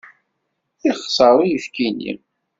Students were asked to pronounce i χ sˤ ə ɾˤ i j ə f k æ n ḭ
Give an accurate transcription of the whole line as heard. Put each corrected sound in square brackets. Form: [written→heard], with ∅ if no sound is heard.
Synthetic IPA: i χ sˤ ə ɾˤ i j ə f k [æ→i] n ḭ